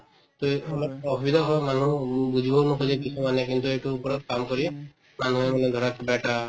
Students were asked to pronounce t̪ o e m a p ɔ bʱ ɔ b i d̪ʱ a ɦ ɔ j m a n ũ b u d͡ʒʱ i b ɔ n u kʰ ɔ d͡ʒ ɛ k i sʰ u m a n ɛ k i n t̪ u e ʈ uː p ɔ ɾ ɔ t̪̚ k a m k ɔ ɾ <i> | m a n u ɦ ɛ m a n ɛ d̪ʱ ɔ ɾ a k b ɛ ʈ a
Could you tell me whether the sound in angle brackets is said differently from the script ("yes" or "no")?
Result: no